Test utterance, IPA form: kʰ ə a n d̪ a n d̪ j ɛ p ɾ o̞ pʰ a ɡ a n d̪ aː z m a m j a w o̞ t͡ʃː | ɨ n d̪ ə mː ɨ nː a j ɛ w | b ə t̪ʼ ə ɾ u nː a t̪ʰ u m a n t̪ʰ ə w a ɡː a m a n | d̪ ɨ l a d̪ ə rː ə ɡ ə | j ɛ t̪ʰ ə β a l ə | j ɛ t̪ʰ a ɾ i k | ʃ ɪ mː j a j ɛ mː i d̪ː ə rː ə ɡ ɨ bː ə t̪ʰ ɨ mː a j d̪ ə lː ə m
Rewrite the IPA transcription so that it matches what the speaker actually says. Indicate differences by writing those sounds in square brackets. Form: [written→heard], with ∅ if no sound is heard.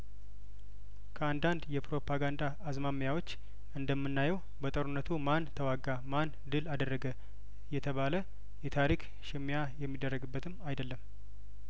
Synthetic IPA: kʰ ə a n d̪ a n d̪ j ɛ p ɾ o̞ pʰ a ɡ a n d̪ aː z m a m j a w o̞ t͡ʃː | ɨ n d̪ ə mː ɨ nː a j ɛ w | b ə t̪ʼ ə ɾ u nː [a→ə] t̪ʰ u m a n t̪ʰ ə w a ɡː a m a n | d̪ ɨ l a d̪ ə rː ə ɡ ə | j ɛ t̪ʰ ə β a l ə | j ɛ t̪ʰ a ɾ i k | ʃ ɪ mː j a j ɛ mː i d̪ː ə rː ə ɡ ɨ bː ə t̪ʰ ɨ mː a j d̪ ə lː ə m